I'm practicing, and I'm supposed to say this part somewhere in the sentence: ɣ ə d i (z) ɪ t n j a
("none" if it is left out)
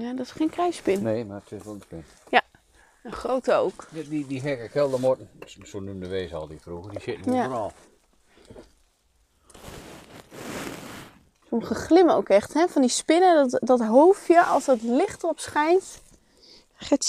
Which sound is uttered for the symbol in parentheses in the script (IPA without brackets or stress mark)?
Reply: s